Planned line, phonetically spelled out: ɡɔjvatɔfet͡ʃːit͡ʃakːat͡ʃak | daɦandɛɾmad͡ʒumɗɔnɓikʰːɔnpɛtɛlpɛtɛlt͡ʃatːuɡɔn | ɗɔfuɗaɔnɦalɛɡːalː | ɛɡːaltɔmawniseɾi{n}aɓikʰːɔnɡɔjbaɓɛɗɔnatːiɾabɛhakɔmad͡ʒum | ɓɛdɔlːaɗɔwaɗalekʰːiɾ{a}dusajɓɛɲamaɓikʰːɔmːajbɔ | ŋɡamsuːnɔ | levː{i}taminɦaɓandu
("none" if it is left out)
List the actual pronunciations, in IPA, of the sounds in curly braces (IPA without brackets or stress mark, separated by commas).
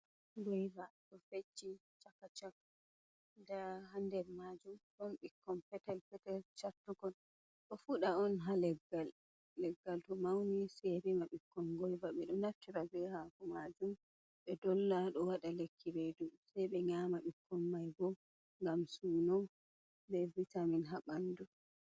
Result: m, e, i